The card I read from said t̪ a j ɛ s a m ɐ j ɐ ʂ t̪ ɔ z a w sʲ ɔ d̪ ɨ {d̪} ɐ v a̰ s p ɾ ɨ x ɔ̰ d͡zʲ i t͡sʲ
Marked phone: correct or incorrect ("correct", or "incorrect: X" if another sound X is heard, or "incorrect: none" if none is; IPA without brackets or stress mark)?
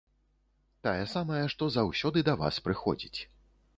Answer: correct